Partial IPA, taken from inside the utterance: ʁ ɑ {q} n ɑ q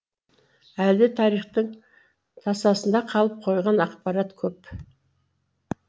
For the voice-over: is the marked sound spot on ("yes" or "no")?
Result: no